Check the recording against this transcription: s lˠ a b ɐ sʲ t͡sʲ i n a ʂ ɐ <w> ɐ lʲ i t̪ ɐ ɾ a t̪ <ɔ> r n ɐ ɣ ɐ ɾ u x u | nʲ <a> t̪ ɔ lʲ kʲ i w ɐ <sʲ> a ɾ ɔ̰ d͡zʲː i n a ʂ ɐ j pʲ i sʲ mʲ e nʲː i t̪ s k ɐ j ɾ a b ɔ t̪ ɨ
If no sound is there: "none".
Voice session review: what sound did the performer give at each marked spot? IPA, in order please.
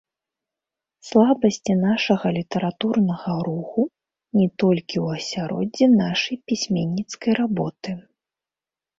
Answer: ɣ, u, ɛ, sʲ

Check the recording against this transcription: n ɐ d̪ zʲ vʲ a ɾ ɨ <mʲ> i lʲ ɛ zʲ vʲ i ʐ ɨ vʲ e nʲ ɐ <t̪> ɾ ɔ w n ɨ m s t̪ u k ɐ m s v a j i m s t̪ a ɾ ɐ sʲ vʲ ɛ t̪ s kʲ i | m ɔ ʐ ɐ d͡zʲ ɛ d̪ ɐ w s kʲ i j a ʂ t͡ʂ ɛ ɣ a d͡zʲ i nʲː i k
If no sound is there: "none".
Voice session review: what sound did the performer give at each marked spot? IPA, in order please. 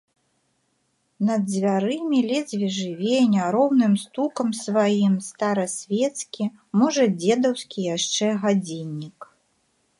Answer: mʲ, none

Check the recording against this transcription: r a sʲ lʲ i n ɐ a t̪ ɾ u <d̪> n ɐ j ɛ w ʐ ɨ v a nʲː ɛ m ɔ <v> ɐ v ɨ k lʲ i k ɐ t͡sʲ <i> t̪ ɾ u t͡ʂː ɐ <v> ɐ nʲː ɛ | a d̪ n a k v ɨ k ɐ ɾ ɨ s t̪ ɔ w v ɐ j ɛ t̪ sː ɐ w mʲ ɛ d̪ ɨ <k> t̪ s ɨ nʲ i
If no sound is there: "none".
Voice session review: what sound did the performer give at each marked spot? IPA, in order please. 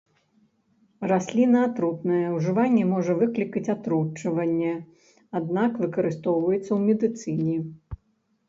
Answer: t̪, ʐ, a, v, none

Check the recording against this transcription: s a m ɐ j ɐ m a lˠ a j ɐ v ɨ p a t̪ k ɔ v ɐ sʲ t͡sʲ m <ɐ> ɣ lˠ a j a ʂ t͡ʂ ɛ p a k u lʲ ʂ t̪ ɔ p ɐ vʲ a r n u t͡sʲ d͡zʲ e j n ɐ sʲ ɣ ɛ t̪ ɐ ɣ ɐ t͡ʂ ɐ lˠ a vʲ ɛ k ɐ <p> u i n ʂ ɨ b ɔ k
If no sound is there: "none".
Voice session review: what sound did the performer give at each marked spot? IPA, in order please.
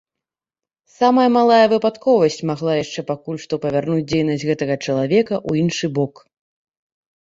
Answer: a, ʔ

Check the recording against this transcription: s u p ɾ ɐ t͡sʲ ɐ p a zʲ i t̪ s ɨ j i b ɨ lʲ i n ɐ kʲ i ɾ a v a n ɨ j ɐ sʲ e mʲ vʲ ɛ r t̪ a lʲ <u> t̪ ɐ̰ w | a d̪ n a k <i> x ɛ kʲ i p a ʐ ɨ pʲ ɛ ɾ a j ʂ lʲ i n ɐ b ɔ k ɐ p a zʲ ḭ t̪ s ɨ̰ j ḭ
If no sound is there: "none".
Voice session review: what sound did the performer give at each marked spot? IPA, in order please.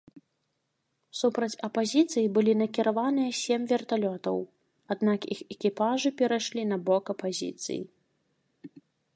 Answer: ɔ, i

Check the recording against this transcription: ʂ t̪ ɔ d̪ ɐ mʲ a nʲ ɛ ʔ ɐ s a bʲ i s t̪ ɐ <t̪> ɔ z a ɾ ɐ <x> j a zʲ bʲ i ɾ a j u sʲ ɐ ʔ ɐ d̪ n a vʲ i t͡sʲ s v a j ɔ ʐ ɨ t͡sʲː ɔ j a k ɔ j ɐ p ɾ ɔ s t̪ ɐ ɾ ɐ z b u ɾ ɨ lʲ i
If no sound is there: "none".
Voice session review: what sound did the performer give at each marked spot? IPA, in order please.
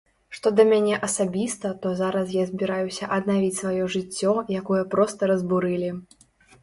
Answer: t̪, s

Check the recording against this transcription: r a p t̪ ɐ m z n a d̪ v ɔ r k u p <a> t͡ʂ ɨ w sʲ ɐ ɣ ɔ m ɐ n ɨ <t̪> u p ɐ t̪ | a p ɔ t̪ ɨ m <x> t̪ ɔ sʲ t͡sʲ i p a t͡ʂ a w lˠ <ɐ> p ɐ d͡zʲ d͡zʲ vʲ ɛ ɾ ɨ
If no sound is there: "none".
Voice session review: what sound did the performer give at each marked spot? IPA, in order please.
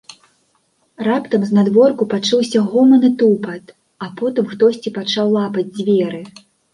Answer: a, t̪, x, a

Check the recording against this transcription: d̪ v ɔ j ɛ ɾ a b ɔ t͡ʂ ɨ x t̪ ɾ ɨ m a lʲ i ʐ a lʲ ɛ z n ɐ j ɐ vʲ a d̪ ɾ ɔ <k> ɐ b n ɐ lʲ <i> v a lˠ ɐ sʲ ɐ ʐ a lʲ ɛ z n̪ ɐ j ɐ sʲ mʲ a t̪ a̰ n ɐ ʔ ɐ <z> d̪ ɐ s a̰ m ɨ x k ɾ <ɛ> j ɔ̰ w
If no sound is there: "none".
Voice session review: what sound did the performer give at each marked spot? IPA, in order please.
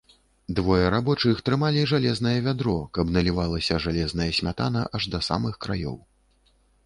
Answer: k, i, ʐ, a

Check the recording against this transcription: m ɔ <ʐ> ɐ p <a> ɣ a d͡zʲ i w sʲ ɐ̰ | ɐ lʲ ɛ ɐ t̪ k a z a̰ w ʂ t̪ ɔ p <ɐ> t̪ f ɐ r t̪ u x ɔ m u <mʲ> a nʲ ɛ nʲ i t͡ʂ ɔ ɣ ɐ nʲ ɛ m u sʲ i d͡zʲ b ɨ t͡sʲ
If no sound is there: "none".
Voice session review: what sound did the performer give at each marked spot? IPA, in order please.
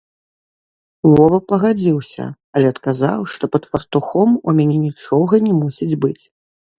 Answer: v, ɐ, ɐ, mʲ

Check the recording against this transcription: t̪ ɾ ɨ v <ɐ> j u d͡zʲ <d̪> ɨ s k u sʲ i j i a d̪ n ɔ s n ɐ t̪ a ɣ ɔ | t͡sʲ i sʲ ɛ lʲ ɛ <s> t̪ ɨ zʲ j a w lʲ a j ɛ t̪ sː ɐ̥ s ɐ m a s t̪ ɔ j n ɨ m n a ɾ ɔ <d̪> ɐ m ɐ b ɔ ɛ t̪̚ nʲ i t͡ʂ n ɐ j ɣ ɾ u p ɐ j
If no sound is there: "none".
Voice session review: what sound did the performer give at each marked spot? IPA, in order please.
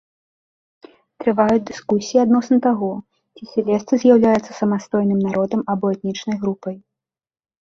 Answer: a, d̪, s, d̪

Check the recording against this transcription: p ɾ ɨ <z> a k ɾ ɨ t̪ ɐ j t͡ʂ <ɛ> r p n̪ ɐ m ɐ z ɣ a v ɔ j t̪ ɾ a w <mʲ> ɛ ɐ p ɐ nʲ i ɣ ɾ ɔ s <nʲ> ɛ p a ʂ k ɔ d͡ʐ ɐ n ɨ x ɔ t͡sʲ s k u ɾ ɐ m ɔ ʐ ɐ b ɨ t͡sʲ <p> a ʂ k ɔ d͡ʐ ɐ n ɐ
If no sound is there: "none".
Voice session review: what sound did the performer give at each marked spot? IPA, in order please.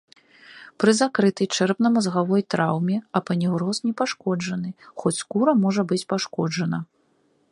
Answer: z, ɛ, mʲ, nʲ, p

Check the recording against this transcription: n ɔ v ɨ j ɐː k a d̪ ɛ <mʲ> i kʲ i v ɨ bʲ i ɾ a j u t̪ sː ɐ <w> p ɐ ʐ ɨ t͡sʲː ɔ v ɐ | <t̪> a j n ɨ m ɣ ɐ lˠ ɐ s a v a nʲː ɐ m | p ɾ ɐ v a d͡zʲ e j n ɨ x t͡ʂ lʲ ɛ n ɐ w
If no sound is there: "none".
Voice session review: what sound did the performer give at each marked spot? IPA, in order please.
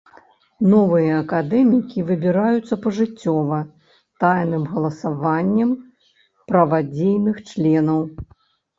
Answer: mʲ, none, t̪

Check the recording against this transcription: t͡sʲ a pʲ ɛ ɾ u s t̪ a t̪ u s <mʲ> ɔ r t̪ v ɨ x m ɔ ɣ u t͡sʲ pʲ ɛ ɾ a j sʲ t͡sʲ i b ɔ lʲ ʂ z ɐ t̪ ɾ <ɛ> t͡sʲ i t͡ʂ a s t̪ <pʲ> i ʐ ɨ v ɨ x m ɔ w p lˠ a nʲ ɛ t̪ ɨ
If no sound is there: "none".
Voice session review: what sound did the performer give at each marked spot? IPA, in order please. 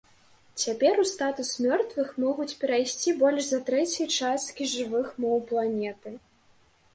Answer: mʲ, ɛ, kʲ

